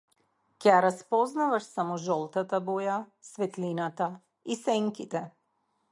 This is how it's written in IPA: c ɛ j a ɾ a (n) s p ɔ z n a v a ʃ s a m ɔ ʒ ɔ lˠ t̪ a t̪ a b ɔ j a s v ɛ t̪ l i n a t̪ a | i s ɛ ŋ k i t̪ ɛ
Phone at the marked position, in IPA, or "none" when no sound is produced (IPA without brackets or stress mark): none